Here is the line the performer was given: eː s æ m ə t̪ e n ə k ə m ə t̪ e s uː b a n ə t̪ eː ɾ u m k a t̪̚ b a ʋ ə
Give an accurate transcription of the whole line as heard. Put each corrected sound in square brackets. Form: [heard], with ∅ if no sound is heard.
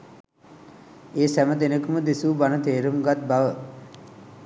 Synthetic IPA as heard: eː s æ m ə [d̪] e n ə k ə m ə [d̪] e s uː b a n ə t̪ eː ɾ u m [ɡ] a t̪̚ b a ʋ ə